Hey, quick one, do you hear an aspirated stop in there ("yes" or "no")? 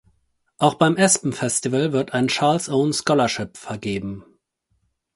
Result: no